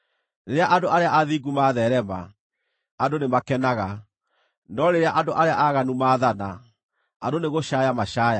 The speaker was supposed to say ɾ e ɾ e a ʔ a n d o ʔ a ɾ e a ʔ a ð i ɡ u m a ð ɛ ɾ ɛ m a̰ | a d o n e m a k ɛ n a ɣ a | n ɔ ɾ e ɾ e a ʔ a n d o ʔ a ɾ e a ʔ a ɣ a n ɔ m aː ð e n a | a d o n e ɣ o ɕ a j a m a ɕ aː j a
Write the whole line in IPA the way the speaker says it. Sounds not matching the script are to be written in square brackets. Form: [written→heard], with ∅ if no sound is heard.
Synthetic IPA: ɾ e ɾ e a ʔ a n d o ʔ a ɾ e a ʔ a ð i ɡ u m a ð ɛ ɾ ɛ m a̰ | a d o n e m a k ɛ n a ɣ a | n ɔ ɾ e ɾ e a ʔ a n d o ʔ a ɾ e a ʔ a ɣ a n [ɔ→u] m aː ð [e→a] n a | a d o n e ɣ o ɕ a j a m a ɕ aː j a